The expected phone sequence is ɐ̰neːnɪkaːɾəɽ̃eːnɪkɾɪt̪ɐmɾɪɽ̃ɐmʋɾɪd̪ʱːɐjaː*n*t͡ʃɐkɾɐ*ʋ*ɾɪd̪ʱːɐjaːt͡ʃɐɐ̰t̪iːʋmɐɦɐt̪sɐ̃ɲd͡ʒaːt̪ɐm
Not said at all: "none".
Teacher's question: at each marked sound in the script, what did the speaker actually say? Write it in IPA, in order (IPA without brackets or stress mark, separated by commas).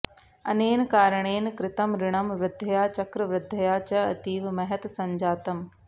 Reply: none, ʋ